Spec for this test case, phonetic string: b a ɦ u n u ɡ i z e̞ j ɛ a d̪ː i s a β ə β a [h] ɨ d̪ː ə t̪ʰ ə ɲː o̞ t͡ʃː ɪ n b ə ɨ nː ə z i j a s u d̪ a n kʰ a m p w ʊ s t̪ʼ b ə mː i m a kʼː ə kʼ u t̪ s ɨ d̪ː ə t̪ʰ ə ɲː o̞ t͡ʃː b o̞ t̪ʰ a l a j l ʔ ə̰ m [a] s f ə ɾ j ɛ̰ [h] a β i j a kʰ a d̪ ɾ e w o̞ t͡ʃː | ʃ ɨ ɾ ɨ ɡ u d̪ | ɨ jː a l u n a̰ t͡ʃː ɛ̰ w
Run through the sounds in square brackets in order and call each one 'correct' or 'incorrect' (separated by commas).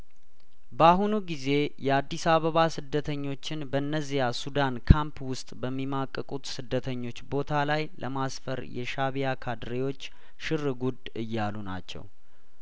incorrect, correct, incorrect